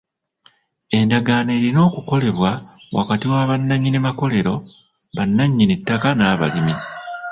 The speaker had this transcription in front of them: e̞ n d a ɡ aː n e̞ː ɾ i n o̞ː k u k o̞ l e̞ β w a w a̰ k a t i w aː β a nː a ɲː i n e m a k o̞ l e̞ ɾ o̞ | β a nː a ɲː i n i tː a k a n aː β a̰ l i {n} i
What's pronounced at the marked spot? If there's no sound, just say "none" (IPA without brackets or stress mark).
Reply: m